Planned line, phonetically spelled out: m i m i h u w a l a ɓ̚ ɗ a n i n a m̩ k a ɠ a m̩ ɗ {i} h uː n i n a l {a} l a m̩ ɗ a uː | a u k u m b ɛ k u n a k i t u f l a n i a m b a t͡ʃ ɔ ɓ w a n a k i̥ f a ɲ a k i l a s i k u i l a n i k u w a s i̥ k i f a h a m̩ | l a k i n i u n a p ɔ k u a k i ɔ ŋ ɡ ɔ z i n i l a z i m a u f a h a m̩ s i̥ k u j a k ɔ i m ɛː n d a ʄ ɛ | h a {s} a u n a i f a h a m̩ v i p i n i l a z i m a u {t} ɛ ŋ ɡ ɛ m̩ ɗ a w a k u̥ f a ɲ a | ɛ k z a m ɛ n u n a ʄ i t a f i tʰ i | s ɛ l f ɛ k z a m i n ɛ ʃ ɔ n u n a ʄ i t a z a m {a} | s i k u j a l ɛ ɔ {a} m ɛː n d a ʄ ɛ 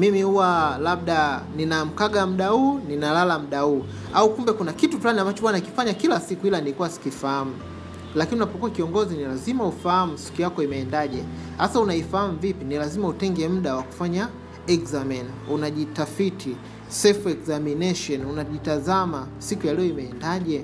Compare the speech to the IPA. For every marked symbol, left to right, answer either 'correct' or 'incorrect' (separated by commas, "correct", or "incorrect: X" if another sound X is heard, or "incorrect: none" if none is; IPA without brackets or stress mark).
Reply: incorrect: a, correct, correct, correct, correct, incorrect: i